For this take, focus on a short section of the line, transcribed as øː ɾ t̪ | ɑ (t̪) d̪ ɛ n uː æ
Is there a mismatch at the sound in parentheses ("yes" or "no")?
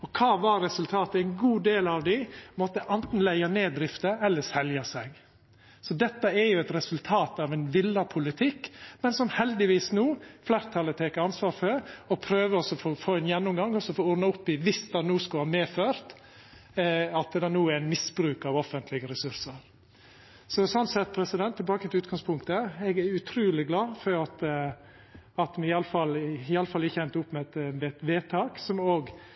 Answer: no